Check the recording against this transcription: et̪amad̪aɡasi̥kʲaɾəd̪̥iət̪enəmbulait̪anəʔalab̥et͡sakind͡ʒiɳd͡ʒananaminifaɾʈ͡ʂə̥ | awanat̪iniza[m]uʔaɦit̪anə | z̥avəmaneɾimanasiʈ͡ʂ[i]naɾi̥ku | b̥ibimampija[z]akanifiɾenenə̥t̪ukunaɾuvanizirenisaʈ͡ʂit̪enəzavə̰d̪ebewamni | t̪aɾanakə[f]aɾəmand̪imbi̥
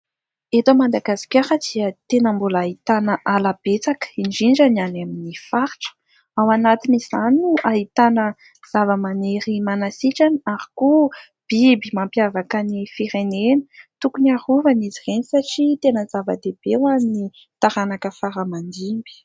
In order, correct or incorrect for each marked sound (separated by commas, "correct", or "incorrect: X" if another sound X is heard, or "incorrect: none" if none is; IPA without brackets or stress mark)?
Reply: incorrect: n, incorrect: a, incorrect: v, correct